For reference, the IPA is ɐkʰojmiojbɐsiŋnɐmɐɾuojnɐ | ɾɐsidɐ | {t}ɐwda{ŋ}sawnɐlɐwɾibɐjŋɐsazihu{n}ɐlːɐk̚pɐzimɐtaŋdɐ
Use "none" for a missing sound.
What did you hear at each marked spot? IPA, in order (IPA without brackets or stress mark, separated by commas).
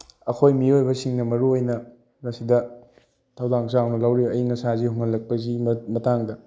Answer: tʰ, ŋ, ŋ